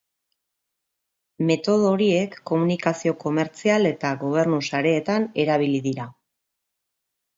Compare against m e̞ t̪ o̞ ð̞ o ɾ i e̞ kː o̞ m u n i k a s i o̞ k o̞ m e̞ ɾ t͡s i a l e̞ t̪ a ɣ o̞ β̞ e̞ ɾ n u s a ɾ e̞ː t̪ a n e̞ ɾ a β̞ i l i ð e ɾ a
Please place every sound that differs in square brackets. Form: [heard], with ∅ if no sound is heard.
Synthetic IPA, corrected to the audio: m e̞ t̪ o̞ ð̞ o ɾ i e̞ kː o̞ m u n i k a s i o̞ k o̞ m e̞ ɾ t͡s i a l e̞ t̪ a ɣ o̞ β̞ e̞ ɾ n u s a ɾ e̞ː t̪ a n e̞ ɾ a β̞ i l i ð [i] ɾ a